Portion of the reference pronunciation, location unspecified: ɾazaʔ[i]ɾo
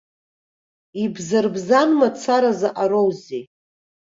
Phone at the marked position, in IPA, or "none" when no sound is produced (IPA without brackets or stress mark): a